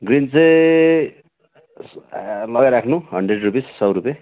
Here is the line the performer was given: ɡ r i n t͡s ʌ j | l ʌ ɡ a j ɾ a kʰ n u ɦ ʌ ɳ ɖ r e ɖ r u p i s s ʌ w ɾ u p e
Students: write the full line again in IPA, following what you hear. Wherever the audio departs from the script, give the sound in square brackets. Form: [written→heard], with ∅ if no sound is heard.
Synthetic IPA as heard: ɡ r i n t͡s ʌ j | l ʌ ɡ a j ɾ a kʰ n u ɦ ʌ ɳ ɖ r e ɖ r u p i s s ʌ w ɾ u p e